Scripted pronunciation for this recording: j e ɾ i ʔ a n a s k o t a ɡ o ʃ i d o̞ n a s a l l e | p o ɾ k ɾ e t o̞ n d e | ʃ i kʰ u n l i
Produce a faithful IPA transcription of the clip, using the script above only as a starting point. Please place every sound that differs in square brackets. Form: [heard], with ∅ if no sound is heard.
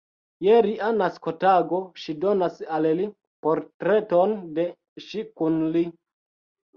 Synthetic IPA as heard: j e ɾ i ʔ a n a s k o t a ɡ o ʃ i d o̞ n a s a l l [i] | p o ɾ [t] ɾ e t o̞ n d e | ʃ i [k] u n l i